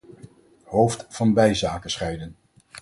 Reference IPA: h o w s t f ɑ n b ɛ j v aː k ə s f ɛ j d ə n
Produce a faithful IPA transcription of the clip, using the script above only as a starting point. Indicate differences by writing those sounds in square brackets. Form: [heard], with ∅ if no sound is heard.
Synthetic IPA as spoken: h o w [f] t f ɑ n b ɛ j [z] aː k ə s [χ] ɛ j d ə n